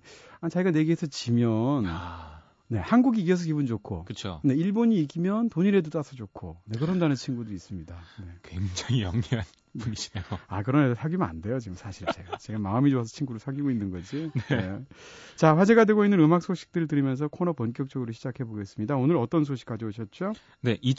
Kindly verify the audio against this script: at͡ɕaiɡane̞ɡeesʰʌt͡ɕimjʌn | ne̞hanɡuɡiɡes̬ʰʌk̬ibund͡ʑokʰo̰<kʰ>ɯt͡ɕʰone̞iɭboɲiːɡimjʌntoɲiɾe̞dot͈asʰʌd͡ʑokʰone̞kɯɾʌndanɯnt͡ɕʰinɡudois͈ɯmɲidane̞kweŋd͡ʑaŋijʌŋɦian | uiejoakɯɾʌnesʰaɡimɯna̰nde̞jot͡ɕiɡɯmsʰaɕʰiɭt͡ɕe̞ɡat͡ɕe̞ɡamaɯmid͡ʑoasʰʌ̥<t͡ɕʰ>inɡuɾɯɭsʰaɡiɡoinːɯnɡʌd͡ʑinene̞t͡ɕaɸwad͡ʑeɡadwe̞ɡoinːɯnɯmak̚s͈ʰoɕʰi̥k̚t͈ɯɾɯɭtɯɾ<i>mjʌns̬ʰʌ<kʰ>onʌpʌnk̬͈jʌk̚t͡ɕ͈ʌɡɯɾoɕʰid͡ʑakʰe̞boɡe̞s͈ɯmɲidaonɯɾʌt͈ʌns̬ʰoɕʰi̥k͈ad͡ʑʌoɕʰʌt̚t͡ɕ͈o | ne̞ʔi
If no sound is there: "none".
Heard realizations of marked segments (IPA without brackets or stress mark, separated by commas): k, t͡ɕʰ, i, kʰ